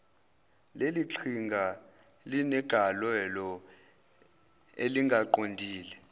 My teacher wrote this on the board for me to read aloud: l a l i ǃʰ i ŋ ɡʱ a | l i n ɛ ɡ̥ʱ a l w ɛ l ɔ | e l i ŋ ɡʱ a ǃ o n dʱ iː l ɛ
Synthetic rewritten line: l e l i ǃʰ i ŋ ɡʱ a | l i n ɛ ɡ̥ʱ a l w ɛ l ɔ | e l i ŋ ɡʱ a ǃ o n dʱ iː l ɛ